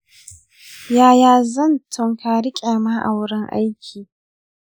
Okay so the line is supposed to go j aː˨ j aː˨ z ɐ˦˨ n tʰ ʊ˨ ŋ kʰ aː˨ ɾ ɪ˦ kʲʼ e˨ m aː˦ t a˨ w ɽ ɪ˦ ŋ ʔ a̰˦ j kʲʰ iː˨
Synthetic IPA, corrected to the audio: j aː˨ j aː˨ z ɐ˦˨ n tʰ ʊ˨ ŋ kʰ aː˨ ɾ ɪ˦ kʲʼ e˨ m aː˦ ʔ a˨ w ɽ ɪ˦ ŋ ʔ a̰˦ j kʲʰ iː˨